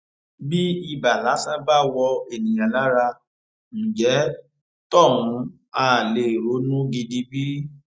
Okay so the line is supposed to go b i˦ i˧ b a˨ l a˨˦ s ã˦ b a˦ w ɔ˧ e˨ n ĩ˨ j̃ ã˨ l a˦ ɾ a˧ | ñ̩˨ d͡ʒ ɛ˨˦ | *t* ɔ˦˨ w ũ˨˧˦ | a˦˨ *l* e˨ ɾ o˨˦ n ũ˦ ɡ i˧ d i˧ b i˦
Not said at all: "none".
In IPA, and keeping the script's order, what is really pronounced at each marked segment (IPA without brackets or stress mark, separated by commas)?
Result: t, l